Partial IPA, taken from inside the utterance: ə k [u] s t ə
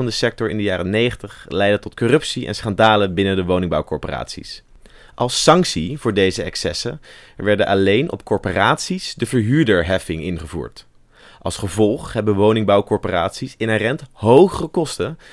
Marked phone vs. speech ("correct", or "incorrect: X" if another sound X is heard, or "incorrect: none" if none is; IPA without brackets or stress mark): incorrect: ɔ